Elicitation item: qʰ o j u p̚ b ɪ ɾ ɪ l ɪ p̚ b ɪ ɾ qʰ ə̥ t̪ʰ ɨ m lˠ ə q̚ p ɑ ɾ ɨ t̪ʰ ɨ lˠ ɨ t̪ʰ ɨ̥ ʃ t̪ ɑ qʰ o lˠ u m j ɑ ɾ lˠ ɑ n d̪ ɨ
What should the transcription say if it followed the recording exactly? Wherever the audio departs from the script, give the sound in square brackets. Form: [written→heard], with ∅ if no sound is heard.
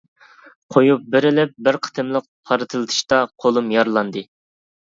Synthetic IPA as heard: qʰ o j u p̚ b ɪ ɾ ɪ l ɪ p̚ b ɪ ɾ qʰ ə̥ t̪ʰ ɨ m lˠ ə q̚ [p→pʰ] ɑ ɾ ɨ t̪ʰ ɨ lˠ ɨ t̪ʰ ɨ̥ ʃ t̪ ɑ qʰ o lˠ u m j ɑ ɾ lˠ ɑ n d̪ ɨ